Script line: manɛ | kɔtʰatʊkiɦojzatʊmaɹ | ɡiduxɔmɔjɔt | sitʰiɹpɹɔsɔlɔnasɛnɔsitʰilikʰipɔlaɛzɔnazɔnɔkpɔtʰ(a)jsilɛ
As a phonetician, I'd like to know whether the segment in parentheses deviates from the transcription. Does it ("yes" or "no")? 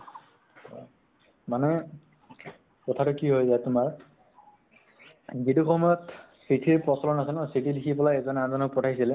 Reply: no